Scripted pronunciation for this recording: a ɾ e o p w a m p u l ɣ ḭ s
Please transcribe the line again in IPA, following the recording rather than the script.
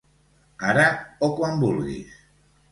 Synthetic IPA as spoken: a ɾ a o k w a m b u l ɣ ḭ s